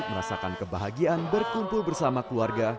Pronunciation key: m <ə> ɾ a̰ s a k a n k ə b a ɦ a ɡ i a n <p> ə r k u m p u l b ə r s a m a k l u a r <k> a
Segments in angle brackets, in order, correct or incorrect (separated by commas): correct, incorrect, incorrect